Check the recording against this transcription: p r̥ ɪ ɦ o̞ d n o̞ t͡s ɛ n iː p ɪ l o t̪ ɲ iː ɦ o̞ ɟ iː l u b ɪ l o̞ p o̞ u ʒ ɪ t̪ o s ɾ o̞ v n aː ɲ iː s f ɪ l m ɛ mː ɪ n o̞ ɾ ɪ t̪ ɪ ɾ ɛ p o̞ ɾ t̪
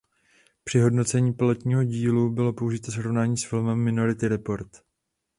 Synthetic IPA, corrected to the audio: p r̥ ɪ ɦ o̞ d n o̞ t͡s ɛ ɲ iː p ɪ l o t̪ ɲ iː ɦ o̞ ɟ iː l u b ɪ l o̞ p o̞ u ʒ ɪ t̪ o s ɾ o̞ v n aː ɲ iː s f ɪ l m ɛ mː ɪ n o̞ ɾ ɪ t̪ ɪ ɾ ɛ p o̞ ɾ t̪